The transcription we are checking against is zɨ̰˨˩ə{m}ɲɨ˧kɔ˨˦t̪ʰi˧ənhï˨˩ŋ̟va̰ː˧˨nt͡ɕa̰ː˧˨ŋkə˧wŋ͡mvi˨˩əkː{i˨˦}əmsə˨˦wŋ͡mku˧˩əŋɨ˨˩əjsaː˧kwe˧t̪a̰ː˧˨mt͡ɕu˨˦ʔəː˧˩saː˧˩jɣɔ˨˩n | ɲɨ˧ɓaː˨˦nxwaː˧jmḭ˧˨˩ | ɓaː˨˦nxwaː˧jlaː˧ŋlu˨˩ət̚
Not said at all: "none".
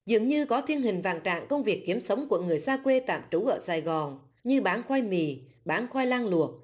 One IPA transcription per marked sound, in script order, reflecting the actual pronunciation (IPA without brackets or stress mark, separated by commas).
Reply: ŋ, i˨˦